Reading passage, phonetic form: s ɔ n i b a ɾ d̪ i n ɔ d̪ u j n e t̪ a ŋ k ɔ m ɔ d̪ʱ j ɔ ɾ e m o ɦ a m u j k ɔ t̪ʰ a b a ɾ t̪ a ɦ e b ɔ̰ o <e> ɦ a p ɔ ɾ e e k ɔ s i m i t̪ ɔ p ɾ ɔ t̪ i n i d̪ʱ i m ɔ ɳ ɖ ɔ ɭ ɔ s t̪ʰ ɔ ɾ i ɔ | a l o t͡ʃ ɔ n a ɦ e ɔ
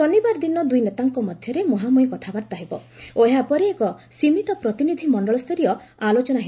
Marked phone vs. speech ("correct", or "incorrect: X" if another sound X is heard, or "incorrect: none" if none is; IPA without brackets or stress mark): correct